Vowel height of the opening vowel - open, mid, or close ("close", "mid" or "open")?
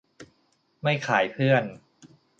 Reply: open